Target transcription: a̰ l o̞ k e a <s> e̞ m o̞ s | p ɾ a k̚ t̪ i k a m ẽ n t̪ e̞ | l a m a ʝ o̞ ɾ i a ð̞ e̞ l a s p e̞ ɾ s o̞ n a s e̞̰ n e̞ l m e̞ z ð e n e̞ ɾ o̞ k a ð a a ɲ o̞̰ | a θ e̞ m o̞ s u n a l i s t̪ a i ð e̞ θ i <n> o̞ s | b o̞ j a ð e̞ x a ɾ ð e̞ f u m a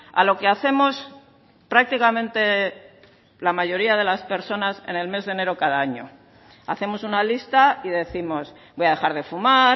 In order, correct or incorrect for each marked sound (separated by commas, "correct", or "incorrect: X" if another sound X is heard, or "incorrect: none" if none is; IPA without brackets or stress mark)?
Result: incorrect: θ, incorrect: m